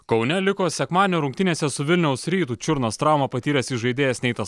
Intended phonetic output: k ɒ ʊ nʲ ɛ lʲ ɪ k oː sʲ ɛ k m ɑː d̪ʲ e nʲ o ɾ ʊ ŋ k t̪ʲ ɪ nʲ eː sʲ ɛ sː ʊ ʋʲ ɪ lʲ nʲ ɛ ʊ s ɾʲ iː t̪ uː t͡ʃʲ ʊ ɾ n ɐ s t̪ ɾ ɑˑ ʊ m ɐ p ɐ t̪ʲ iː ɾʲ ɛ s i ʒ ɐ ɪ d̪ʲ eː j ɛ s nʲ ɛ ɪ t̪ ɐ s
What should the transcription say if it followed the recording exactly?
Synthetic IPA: k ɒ ʊ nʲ ɛ lʲ ɪ k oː sʲ ɛ k m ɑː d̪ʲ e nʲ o ɾ ʊ ŋ k t̪ʲ ɪ nʲ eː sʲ ɛ s ʊ ʋʲ ɪ lʲ nʲ ɛ ʊ s ɾʲ iː t̪ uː t͡ʃʲ ʊ ɾ n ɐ s t̪ ɾ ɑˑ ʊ m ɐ p ɐ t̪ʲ iː ɾʲ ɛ s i ʒ ɐ ɪ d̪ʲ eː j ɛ s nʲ ɛ ɪ t̪ ɐ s